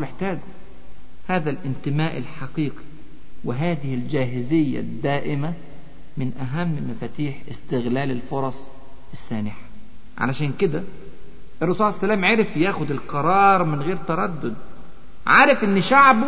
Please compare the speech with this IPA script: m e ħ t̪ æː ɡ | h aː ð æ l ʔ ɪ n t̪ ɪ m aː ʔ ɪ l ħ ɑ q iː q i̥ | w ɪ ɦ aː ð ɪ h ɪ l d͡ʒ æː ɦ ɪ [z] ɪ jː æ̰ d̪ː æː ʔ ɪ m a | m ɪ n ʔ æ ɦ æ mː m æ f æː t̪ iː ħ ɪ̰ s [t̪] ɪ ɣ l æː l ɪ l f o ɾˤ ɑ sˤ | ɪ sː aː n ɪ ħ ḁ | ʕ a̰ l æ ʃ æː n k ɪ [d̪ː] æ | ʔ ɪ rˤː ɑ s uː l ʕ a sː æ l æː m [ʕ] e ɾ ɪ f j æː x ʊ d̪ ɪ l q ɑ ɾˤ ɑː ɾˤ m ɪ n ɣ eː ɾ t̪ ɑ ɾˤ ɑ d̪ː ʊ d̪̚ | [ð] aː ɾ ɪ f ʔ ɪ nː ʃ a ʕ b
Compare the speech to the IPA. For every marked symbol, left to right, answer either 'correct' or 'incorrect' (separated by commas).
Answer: correct, correct, incorrect, correct, incorrect